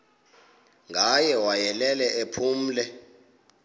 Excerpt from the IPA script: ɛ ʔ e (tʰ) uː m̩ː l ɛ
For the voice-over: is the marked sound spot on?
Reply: no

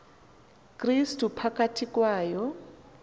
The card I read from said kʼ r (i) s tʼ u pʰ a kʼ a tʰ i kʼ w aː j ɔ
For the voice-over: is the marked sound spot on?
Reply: yes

